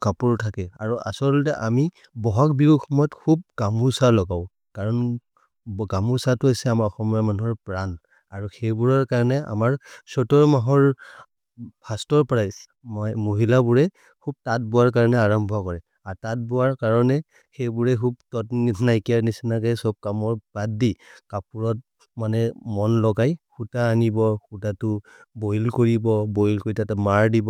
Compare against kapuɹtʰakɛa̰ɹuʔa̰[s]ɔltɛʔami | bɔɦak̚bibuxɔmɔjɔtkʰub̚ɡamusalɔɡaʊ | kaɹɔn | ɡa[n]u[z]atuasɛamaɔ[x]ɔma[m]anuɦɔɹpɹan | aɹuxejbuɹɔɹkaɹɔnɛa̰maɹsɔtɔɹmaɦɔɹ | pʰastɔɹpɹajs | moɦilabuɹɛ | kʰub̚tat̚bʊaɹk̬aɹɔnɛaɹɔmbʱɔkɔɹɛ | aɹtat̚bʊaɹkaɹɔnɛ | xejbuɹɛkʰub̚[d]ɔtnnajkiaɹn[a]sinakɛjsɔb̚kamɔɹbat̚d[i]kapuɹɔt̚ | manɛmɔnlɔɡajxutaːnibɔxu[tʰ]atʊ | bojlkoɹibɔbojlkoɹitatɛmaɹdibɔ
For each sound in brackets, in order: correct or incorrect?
correct, incorrect, incorrect, correct, correct, incorrect, incorrect, correct, incorrect

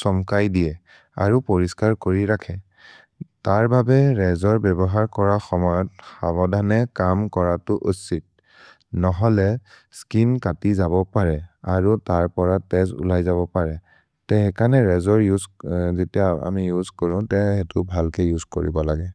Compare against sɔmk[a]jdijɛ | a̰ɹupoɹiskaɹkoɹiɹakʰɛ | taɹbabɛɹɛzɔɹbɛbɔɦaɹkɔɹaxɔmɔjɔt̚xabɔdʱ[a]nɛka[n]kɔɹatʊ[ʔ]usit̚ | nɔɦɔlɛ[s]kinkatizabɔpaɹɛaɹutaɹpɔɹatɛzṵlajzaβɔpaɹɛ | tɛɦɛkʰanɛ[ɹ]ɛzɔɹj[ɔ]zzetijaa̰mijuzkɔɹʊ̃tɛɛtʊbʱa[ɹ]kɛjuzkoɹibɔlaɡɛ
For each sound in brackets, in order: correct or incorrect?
correct, correct, incorrect, correct, correct, correct, incorrect, incorrect

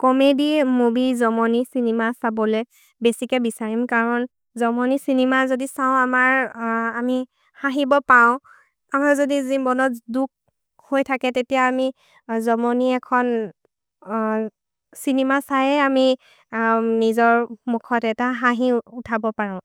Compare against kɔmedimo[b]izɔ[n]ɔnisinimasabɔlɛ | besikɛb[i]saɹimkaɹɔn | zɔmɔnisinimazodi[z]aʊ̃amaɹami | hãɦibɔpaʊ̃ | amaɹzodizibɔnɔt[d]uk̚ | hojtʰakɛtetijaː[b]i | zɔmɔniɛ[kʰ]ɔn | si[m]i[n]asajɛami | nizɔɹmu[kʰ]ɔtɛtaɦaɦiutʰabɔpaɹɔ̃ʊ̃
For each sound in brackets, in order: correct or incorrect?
correct, incorrect, correct, incorrect, correct, incorrect, correct, incorrect, incorrect, correct

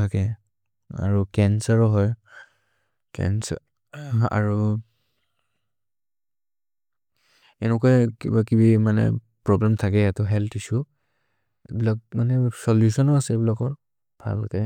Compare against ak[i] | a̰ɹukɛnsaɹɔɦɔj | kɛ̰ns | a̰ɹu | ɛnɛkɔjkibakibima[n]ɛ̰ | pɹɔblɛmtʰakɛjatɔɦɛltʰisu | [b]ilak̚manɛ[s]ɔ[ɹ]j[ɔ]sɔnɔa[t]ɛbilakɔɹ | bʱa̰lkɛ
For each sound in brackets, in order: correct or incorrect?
incorrect, correct, correct, correct, incorrect, incorrect, incorrect

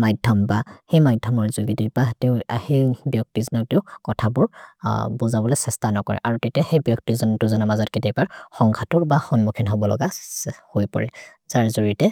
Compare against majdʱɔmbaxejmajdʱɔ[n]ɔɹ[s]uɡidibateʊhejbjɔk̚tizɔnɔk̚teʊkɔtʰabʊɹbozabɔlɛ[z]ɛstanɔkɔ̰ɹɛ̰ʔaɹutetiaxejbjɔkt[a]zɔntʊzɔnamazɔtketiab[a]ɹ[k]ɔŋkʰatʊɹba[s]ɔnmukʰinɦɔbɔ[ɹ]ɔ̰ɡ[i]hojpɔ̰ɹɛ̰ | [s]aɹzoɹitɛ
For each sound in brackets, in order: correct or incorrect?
incorrect, incorrect, incorrect, incorrect, correct, incorrect, incorrect, incorrect, incorrect, incorrect

